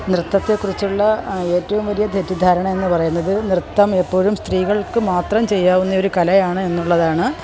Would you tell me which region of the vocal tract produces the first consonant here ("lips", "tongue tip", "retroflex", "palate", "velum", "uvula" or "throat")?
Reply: tongue tip